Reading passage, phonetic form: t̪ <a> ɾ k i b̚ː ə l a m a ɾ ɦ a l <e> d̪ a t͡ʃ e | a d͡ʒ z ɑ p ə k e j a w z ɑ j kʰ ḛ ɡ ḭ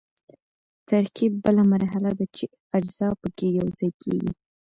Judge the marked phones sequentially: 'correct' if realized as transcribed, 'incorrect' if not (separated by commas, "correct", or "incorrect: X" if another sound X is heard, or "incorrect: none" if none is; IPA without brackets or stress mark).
correct, incorrect: a